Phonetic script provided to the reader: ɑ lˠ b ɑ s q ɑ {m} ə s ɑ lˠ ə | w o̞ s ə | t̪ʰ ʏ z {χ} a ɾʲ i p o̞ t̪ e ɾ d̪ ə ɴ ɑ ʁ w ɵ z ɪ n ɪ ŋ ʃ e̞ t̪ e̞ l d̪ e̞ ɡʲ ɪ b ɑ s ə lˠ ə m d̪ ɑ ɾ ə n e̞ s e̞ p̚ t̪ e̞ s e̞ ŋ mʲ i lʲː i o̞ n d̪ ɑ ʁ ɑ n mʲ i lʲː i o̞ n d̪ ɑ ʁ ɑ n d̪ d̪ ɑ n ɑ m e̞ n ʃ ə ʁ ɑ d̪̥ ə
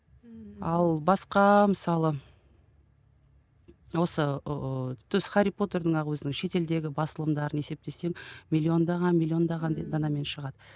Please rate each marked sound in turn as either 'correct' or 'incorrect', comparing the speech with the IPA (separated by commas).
correct, correct